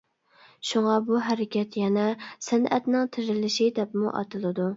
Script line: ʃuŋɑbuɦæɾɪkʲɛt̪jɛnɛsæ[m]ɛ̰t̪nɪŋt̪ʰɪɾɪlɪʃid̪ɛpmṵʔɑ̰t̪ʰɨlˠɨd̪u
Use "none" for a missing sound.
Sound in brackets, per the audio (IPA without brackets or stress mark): n